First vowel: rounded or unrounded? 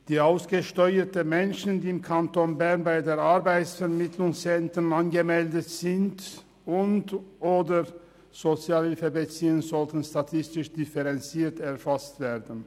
unrounded